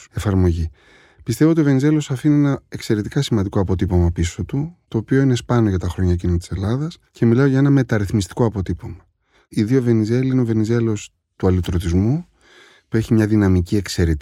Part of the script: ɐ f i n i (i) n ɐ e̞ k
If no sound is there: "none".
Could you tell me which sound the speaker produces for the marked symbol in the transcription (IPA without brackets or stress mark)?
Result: e